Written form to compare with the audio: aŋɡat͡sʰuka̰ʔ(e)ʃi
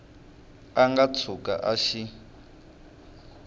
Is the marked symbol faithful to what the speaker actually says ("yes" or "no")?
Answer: no